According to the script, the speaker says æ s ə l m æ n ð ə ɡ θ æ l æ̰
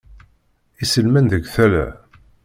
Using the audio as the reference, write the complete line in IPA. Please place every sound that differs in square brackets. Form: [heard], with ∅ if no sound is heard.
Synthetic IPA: [i] s ə l m æ n ð ə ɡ θ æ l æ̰